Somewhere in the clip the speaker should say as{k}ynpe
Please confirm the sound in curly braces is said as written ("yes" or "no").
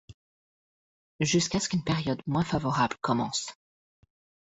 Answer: yes